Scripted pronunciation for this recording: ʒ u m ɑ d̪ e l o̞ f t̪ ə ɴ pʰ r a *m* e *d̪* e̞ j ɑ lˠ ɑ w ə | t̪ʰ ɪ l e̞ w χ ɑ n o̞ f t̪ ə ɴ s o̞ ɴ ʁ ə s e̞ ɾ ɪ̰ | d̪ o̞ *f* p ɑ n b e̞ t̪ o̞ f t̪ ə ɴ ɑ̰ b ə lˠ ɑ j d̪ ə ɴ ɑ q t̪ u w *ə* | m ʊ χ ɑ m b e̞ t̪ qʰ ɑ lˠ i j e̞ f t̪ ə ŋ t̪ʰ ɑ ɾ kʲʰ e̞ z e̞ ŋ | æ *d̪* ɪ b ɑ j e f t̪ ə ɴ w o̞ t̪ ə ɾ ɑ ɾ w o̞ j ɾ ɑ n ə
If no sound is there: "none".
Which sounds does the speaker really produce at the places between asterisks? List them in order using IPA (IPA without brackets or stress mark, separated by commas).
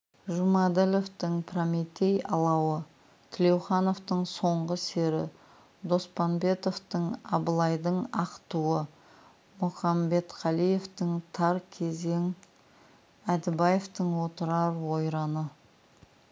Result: m, t̪, s, ə, d̪